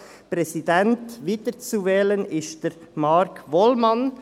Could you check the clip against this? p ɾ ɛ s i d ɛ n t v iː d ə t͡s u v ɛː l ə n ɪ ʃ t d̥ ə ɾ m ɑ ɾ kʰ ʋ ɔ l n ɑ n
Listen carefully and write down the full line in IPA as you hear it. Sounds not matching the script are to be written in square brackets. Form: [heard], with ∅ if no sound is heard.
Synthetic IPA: p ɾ ɛ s i d ɛ n t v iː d ə t͡s u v ɛː l ə n ɪ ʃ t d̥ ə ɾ m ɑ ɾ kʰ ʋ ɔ l [m] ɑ n